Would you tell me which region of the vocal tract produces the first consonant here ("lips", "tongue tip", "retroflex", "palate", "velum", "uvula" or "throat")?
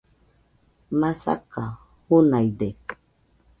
lips